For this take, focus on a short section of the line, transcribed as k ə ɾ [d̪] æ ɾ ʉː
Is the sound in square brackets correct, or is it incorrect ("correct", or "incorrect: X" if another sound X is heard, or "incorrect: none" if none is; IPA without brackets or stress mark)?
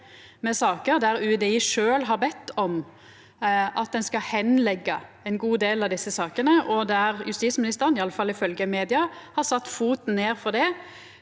correct